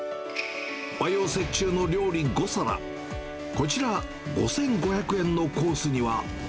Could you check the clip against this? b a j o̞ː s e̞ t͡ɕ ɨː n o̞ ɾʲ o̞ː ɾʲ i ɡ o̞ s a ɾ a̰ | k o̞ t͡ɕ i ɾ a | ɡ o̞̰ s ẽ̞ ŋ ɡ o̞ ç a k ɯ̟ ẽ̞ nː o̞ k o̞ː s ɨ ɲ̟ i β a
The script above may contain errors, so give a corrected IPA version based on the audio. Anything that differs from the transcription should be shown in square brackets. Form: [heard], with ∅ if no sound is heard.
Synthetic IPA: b a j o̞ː s e̞ t͡ɕ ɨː n o̞ ɾʲ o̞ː ɾʲ i ɡ o̞ s a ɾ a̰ | k o̞ t͡ɕ i ɾ a | ɡ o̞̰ s ẽ̞ ŋ ɡ o̞ ç a k ɯ̟ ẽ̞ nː o̞ k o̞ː s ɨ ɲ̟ i β a